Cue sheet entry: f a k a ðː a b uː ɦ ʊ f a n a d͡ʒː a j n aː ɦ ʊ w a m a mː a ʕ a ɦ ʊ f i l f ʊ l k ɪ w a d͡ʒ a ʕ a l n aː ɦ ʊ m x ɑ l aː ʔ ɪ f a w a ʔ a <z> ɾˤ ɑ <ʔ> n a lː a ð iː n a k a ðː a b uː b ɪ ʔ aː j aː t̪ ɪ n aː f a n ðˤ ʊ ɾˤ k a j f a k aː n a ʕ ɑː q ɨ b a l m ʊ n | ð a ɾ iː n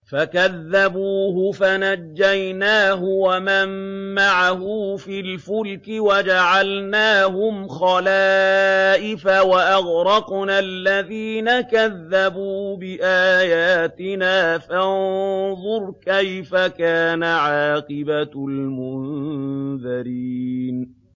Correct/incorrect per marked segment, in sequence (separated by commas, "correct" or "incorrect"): incorrect, incorrect